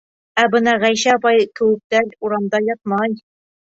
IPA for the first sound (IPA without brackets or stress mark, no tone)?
æ